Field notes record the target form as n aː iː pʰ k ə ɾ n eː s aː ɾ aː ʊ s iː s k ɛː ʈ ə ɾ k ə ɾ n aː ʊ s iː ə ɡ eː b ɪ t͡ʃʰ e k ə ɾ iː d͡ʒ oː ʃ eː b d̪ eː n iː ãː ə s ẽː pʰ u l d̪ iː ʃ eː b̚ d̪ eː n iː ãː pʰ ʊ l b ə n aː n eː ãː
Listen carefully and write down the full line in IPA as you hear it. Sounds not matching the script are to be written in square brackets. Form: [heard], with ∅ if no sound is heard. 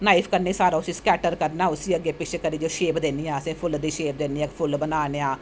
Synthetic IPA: n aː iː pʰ k ə ɾ n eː s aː ɾ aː ʊ s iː s k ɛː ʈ ə ɾ k ə ɾ n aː ʊ s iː ə ɡ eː [p] ɪ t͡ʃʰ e k ə ɾ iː d͡ʒ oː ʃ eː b d̪ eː n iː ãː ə s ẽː pʰ [ʊ] l d̪ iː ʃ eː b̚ d̪ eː n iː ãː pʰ ʊ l b ə n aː n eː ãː

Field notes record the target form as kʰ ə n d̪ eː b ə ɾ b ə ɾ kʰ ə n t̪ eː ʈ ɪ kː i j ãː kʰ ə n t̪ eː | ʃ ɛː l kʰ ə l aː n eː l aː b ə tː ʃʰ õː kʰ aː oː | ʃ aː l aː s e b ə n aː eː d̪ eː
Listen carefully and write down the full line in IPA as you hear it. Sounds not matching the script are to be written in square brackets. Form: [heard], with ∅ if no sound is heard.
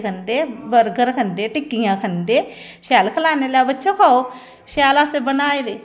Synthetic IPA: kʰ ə n d̪ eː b ə ɾ [ɡ] ə ɾ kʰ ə n [d̪] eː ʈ ɪ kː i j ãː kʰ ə n [d̪] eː | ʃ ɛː l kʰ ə l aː n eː l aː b ə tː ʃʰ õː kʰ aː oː | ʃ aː l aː s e b ə n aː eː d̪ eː

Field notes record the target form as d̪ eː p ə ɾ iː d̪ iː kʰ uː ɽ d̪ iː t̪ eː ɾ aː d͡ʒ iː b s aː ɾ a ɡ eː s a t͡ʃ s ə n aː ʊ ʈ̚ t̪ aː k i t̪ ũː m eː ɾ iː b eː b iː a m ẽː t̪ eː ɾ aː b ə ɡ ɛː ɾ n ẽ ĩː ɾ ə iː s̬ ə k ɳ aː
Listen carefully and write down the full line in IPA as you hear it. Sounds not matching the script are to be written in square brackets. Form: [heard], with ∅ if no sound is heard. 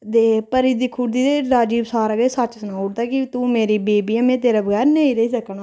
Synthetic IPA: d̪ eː p ə ɾ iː d̪ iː kʰ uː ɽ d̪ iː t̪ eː ɾ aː d͡ʒ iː b s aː ɾ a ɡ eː s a t͡ʃ s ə n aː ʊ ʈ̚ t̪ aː k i t̪ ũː m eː ɾ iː b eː b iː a m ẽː t̪ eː ɾ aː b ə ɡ ɛː ɾ n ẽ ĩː ɾ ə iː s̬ ə k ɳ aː

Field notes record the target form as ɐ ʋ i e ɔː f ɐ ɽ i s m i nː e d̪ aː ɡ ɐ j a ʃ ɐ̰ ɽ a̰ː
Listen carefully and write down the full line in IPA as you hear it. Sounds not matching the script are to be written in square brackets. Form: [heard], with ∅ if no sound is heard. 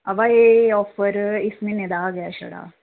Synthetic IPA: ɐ ʋ [a] e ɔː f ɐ [ɾ] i s m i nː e d̪ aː ɡ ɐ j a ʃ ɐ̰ ɽ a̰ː

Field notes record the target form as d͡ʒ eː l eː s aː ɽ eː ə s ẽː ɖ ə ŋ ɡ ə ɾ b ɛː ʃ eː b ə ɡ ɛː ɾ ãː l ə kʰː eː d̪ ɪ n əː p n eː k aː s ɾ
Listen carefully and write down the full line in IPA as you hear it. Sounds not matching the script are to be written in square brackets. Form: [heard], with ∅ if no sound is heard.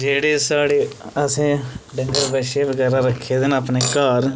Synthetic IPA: d͡ʒ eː [ɽ] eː s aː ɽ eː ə s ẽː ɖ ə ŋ ɡ ə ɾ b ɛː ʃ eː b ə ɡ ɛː ɾ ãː [ɾ] ə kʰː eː d̪ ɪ n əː p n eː k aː [∅] ɾ

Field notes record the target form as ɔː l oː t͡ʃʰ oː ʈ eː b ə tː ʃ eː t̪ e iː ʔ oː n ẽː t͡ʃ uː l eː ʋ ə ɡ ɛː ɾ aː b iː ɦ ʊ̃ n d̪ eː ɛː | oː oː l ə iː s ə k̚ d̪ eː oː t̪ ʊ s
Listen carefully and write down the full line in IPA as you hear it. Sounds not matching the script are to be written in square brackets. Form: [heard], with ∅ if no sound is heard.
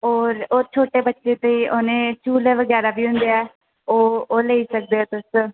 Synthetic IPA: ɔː [ɾ] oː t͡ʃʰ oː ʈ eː b ə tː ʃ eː t̪ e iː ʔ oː n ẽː t͡ʃ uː l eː ʋ ə ɡ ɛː ɾ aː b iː ɦ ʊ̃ n d̪ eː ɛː | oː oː l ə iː s ə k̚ d̪ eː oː t̪ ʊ s

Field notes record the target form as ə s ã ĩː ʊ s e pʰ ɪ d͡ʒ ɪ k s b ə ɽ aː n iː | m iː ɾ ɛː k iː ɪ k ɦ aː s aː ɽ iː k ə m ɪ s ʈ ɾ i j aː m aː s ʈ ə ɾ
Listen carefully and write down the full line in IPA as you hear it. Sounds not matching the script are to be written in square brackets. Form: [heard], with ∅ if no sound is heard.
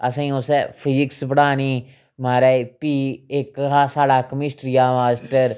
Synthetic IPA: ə s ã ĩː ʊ s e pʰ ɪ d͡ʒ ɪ k s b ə ɽ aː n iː | m [aː] ɾ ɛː [p] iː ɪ k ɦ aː s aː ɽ [aː] k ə m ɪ s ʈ ɾ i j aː m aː s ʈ ə ɾ

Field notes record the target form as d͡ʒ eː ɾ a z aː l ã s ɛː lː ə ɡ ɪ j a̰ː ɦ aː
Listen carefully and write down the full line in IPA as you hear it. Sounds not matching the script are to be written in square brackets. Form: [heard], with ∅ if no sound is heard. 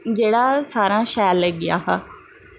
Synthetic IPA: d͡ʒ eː [ɽ] a [s] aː [ɾ] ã [ʃ] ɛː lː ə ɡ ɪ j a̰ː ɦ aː

